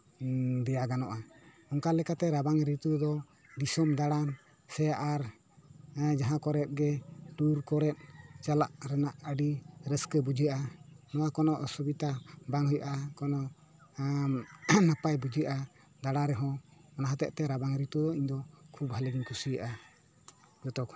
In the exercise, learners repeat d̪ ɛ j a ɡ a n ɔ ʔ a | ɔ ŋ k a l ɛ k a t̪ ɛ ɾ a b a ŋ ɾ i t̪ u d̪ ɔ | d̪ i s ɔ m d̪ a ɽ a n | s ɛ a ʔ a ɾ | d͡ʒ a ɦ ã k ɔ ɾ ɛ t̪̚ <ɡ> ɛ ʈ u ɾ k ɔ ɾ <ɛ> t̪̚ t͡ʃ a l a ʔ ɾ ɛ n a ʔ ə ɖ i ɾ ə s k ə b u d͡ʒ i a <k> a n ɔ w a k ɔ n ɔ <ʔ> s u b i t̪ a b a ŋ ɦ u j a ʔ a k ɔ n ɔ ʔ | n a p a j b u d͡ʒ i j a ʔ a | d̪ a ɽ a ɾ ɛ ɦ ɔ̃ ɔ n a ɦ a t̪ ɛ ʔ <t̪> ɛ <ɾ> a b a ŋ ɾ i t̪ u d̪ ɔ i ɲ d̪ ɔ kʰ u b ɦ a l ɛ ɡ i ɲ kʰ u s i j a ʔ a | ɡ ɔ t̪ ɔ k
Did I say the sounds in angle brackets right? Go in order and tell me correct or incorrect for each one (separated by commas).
correct, correct, incorrect, correct, correct, correct